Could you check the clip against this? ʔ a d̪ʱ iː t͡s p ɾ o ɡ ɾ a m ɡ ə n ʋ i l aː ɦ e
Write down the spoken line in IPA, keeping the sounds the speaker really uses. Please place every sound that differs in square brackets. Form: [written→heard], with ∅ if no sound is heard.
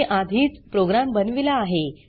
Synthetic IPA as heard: ʔ a d̪ʱ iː t͡s p ɾ o ɡ ɾ a m [ɡ→b] ə n ʋ i l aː ɦ e